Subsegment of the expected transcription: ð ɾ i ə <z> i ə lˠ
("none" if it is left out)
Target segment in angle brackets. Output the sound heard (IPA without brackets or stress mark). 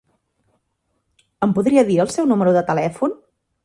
ð